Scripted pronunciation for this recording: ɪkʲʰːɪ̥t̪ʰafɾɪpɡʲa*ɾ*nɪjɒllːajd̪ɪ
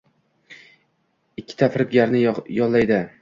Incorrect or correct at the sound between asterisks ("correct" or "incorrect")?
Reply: correct